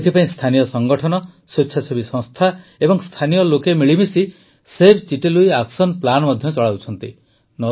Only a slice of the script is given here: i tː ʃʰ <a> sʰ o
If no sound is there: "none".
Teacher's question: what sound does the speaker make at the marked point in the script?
a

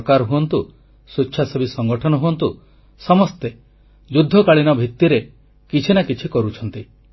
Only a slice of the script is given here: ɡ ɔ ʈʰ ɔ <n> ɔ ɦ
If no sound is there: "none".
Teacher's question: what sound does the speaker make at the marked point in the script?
n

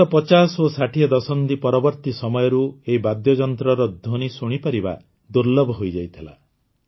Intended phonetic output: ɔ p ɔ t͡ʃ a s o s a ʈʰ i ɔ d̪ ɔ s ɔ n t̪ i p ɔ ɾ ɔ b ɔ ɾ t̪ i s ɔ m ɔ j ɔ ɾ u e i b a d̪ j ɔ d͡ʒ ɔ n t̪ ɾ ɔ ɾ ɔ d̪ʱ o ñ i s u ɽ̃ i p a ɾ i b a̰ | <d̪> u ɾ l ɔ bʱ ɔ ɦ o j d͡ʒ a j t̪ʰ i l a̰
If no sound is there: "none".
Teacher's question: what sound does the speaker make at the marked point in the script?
d̪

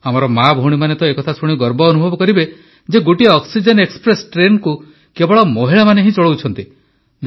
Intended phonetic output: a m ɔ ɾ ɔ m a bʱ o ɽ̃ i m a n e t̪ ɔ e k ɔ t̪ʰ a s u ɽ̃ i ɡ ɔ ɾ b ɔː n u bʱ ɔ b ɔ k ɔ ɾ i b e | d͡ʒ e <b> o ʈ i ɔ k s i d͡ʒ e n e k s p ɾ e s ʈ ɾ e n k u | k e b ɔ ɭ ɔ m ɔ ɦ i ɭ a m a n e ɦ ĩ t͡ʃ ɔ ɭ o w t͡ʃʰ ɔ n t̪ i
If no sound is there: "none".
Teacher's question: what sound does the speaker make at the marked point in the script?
ɡ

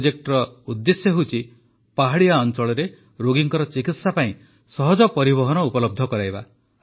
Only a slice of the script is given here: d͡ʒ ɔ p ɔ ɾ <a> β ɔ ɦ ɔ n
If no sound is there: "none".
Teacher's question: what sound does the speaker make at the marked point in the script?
i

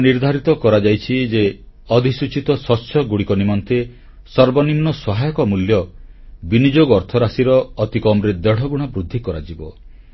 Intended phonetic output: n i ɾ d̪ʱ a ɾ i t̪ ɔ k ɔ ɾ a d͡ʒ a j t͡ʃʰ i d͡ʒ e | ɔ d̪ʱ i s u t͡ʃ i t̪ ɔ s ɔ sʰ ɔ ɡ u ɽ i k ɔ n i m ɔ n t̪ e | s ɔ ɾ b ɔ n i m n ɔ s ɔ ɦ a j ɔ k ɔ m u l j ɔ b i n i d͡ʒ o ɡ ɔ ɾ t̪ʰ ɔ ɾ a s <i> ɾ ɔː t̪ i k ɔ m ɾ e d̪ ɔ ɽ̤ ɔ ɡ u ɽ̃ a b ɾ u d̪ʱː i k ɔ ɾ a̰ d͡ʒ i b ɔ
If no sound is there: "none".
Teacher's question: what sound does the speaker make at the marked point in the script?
i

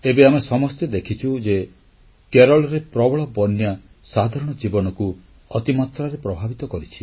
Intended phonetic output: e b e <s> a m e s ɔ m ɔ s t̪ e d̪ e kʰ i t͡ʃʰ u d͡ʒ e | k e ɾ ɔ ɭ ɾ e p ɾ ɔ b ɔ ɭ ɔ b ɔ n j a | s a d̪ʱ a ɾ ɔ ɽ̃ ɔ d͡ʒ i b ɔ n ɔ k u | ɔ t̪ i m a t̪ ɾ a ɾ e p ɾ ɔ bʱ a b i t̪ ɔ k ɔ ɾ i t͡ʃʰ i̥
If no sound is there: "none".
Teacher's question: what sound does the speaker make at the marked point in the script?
none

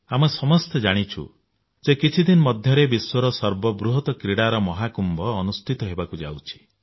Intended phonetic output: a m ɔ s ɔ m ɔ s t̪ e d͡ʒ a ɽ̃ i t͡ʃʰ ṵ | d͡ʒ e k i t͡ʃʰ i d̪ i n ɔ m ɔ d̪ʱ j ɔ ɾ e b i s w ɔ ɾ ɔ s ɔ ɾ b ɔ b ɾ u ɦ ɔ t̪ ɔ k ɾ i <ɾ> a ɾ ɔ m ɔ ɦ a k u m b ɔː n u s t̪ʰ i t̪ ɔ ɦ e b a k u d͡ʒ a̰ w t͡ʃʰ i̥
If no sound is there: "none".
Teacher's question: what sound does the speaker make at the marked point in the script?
ɽ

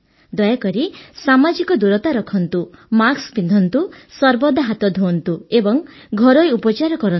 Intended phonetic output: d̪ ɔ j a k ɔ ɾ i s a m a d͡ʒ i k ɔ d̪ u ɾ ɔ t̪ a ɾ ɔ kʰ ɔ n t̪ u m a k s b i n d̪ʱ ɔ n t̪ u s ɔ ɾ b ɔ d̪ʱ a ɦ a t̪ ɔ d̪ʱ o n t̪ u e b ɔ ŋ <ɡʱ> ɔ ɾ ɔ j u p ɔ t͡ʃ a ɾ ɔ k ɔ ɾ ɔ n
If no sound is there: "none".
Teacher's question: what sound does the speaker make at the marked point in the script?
ɡʱ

